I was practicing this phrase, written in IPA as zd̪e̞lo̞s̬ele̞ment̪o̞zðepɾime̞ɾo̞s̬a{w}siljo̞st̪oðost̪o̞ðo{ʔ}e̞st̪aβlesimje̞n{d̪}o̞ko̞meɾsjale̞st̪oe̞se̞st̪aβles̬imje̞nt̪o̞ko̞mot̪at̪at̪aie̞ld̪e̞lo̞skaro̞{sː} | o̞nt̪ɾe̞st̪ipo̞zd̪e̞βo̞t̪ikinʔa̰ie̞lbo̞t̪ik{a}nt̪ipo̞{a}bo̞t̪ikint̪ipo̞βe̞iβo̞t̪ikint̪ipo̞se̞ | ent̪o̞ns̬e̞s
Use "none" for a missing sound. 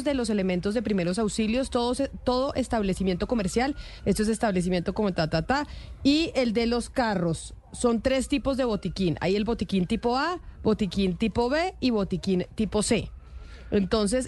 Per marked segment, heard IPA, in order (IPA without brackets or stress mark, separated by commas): w, ʔ, t̪, sː, i, a